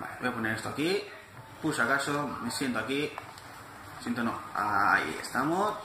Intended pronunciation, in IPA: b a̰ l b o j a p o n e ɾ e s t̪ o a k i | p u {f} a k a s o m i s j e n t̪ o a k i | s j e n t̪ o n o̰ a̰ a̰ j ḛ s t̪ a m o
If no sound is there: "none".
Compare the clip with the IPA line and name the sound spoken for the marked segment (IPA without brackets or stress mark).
s